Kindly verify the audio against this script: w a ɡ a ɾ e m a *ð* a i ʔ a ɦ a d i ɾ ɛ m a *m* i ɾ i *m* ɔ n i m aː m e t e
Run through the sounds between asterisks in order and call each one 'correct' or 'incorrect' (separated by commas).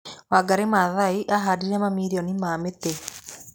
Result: correct, correct, incorrect